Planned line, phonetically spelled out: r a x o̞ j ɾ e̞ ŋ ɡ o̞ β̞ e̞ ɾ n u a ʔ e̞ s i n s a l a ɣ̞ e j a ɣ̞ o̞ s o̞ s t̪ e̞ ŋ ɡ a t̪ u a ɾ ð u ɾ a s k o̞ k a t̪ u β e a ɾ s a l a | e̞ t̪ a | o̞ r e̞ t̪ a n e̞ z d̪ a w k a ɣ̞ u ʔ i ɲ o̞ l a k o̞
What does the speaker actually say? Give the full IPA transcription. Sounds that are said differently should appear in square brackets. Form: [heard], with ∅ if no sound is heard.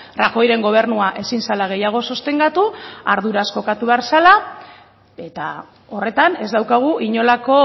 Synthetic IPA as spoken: r a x o̞ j ɾ e̞ ŋ ɡ o̞ β̞ e̞ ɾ n u a ʔ e̞ s i n s a l a ɣ̞ e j a ɣ̞ o̞ s o̞ s t̪ e̞ ŋ ɡ a t̪ u a ɾ ð u ɾ a s k o̞ k a t̪ u β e a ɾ s a l a | e̞ t̪ a | o̞ r e̞ t̪ a n e̞ z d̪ a w k a ɣ̞ u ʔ i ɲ o̞ l a k o̞